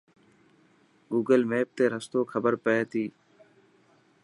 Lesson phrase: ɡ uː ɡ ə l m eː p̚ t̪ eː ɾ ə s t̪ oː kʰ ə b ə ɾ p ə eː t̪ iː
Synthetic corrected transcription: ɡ uː ɡ ə l m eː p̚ t̪ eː ɾ ə s t̪ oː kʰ ə b ə ɾ p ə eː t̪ iː

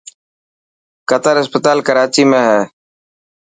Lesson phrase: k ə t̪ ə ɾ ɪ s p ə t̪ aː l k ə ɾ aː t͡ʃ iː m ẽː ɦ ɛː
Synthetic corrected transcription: k ə t̪ ə ɾ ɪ s p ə t̪ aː l k ə ɾ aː t͡ʃ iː m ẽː ɦ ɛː

